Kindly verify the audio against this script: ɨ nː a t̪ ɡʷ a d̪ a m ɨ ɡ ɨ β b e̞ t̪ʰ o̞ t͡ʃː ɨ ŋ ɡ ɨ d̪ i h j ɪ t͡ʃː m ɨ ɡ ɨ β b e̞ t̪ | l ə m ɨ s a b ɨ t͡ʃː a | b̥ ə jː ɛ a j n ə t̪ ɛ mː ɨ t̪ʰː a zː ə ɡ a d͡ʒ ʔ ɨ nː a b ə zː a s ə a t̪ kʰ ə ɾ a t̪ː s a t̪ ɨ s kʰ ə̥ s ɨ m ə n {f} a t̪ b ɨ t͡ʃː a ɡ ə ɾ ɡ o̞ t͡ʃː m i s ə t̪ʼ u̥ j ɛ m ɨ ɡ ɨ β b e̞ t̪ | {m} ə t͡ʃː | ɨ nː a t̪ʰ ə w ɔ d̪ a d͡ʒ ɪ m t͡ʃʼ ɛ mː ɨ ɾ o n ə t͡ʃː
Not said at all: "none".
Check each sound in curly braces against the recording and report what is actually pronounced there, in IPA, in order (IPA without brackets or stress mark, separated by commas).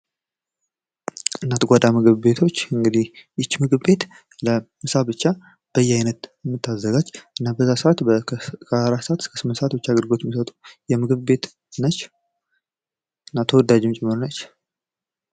s, n